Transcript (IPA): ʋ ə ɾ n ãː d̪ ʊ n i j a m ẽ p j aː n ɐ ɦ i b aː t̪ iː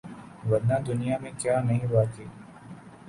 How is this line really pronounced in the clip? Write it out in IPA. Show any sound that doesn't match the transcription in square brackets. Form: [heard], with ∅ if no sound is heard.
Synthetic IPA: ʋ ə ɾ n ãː d̪ ʊ n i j a m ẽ [k] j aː n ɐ ɦ [ĩ] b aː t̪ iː